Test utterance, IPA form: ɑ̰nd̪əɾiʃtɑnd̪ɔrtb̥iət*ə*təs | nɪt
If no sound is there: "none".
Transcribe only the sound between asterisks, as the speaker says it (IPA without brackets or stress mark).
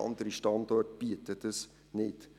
ə